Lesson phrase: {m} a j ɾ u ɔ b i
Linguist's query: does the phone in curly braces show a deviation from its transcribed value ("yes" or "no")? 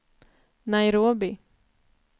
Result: yes